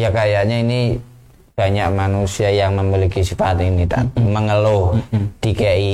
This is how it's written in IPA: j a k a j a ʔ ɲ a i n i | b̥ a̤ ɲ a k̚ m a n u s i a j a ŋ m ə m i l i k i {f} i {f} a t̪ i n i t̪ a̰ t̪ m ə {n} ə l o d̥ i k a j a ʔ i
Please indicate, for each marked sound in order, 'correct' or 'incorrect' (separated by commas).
incorrect, correct, incorrect